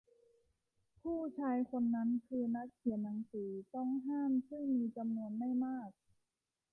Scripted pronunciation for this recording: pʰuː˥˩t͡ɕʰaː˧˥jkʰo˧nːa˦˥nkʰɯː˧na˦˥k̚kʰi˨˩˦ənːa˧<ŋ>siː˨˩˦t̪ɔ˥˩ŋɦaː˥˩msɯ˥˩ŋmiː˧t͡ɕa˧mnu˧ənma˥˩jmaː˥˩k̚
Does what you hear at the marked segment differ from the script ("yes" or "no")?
no